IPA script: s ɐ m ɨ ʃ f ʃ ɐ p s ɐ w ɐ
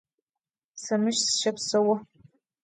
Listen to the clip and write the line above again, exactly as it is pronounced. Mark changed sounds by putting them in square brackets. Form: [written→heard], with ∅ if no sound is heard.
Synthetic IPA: s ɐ m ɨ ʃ [f→s] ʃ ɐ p s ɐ w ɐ